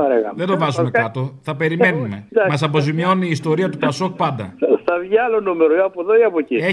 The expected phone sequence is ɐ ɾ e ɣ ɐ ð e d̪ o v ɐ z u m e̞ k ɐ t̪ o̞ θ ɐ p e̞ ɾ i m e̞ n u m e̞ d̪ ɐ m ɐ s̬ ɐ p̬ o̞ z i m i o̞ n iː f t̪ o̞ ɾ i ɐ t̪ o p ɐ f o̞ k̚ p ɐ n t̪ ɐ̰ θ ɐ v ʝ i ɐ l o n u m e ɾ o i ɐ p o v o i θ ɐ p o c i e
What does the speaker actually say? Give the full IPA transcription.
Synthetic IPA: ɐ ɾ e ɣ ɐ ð e d̪ o v ɐ z u m e̞ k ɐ t̪ o̞ θ ɐ p e̞ ɾ i m e̞ n u m e̞ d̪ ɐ m ɐ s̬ ɐ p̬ o̞ z i m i o̞ n iː s t̪ o̞ ɾ i ɐ t̪ u p ɐ s o̞ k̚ p ɐ n d̪ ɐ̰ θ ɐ v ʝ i ɐ l o n u m e ɾ o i ɐ p o ð o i ɐ p o c i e